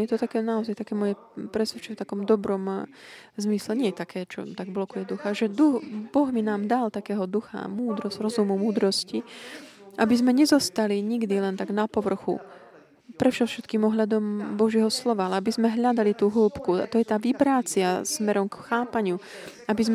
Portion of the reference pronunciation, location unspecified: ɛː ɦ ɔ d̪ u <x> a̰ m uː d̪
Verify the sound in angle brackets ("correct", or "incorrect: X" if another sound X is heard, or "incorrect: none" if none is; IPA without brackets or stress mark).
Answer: correct